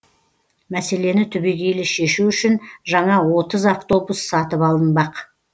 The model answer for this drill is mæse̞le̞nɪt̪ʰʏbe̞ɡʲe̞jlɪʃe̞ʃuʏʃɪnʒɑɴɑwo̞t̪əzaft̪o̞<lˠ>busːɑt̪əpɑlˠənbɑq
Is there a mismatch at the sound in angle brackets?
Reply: yes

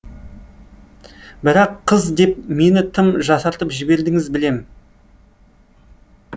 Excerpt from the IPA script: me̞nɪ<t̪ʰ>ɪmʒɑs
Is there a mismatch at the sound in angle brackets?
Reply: no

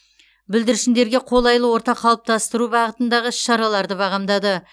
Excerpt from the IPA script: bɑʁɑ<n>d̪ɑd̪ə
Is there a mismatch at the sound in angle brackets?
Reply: yes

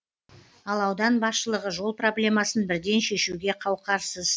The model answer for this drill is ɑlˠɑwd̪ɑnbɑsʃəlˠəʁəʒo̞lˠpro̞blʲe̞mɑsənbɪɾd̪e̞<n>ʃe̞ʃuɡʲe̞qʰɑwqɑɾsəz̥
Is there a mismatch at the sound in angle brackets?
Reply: no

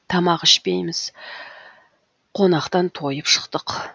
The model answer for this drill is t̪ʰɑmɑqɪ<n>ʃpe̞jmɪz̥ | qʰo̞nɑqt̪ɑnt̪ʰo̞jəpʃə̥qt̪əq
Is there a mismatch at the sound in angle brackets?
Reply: yes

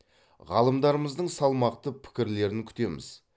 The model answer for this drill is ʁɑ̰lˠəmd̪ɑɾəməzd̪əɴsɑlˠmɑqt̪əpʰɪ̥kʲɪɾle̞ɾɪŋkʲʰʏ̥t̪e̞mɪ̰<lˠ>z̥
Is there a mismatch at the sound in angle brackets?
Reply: yes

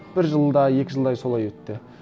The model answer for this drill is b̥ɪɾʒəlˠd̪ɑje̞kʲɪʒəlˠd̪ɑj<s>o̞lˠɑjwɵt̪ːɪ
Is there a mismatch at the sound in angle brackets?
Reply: no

